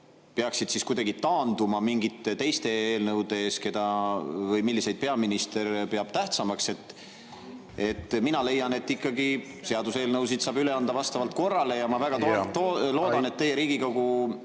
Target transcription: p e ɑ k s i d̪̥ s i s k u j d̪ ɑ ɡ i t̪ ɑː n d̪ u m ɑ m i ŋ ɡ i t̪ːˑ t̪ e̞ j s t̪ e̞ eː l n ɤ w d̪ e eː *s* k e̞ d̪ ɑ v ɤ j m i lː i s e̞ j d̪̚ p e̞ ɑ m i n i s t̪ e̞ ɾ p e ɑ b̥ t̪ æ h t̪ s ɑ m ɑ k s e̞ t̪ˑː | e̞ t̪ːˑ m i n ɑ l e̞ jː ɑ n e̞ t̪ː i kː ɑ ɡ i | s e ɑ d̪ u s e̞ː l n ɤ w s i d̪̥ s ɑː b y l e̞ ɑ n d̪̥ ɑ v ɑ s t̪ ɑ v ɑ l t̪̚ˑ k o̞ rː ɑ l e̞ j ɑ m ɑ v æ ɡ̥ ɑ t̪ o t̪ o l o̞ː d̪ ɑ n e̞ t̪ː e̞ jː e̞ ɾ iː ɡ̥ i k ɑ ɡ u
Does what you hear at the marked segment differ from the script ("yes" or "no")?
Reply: no